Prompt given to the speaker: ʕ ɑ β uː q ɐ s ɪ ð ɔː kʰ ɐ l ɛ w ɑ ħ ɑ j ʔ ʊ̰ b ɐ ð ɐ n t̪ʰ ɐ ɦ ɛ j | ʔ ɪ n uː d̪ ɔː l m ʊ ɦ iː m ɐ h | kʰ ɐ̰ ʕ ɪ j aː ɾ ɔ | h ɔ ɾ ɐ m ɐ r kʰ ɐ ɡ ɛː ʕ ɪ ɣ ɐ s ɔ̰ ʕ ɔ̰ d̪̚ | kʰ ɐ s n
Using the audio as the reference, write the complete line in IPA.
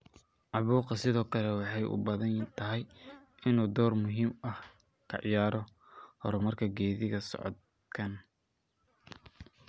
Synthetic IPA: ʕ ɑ β uː q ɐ s ɪ ð ɔː kʰ ɐ l ɛ w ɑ ħ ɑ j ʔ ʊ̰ b ɐ ð ɐ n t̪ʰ ɐ ɦ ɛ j | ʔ ɪ n uː d̪ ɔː r m ʊ ɦ iː m ɐ h | kʰ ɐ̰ ʕ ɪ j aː ɾ ɔ | h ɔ ɾ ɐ m ɐ r kʰ ɐ ɡ ɛː ð ɪ ɣ ɐ s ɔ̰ ʕ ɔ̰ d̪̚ | kʰ ɐ n

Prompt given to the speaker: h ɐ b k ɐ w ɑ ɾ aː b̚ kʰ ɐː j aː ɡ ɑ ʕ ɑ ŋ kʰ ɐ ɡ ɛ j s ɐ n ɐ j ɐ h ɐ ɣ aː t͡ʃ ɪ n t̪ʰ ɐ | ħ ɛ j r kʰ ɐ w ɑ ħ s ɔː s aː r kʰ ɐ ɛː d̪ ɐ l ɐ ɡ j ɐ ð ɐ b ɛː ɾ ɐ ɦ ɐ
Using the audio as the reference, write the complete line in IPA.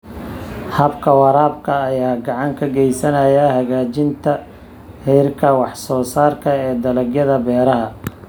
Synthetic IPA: h ɐ b kʰ ɐ w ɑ ɾ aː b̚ kʰ ɐː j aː ɡ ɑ ʕ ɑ ŋ kʰ ɐ ɡ ɛ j s ɐ n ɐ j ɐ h ɐ ɣ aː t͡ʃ ɪ n t̪ʰ ɐ | h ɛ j r kʰ ɐ w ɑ ħ s ɔː s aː r kʰ ɐ ɛː d̪ ɐ l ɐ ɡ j ɐ ð ɐ b ɛː ɾ ɐ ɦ ɐ

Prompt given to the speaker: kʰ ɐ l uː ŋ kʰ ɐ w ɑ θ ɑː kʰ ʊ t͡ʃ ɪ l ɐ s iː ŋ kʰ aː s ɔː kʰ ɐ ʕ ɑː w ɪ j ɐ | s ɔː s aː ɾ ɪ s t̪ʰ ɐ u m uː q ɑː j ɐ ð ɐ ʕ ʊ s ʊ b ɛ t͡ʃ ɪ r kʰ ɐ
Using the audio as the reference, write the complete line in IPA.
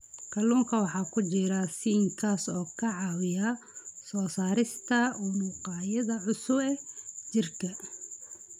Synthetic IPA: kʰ ɐ l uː ŋ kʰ ɐ w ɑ ħ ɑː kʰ ʊ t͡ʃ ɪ ɾ ɐ s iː ŋ kʰ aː s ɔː kʰ ɐ ʕ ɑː w ɪ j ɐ | s ɔː s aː ɾ ɪ s t̪ʰ ɐ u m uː q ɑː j ɐ ð ɐ ʕ ʊ s ʊ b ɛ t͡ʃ ɪ r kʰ ɐ

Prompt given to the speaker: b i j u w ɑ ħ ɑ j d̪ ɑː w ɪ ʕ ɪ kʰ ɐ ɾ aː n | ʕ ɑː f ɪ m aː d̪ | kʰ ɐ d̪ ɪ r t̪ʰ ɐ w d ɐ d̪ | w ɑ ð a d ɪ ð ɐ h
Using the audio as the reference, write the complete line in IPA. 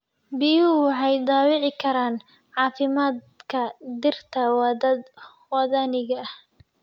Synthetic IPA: b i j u w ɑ ħ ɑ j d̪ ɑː w ɪ ʕ ɪ kʰ ɐ ɾ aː n | ʕ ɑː f ɪ m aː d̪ | kʰ ɐ d̪ ɪ r t̪ʰ ɐ w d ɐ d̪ | w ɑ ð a n ɪ ɣ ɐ h

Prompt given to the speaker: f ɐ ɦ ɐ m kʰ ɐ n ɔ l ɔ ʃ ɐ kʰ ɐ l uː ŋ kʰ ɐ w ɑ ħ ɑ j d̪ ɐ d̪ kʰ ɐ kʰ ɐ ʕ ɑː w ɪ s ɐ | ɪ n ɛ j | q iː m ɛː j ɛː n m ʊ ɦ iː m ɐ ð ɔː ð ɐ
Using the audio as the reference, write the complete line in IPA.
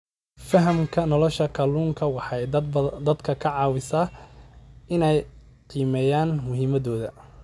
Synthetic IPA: f ɐ ɦ ɐ m kʰ ɐ n ɔ l ɔ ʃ ɐ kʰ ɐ l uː ŋ kʰ ɐ w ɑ ħ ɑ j d̪ ɐ d̪ kʰ ɐ kʰ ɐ ʕ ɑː w ɪ s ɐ | ɪ n ɛ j | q iː m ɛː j aː n m ʊ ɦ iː m ɐ ð ɔː ð ɐ

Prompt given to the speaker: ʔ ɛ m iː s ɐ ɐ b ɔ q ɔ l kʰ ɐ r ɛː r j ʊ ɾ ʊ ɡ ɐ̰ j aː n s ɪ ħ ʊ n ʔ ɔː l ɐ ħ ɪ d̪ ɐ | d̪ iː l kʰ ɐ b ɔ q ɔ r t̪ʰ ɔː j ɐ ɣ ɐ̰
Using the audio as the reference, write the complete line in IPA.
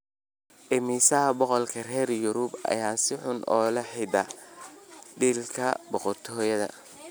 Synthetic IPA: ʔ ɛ m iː s ɐ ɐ b ɔ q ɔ l kʰ ɐ r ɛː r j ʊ ɾ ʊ b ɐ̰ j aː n s ɪ ħ ʊ n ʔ ɔː l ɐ ħ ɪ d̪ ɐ | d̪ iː l kʰ ɐ b ɔ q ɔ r t̪ʰ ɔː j ɐ ð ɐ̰

